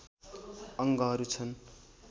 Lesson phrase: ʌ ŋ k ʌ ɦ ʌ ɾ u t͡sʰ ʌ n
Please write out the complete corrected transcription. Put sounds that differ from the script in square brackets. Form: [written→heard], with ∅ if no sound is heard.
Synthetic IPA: ʌ ŋ [k→ɡ] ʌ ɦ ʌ ɾ u t͡sʰ ʌ n